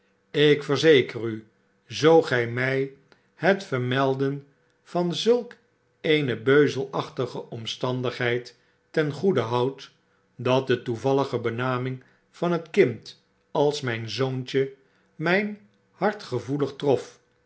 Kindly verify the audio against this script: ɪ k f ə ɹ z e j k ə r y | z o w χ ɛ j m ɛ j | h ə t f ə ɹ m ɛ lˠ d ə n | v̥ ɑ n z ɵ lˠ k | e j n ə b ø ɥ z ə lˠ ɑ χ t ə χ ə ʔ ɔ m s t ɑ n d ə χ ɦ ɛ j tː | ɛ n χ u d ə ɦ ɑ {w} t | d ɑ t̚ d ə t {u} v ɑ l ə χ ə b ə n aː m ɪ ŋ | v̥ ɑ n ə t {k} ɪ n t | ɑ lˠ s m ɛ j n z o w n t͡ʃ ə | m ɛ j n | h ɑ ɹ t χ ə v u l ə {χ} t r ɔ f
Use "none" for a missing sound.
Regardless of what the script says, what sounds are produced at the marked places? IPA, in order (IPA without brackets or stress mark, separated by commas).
w, u, k, χ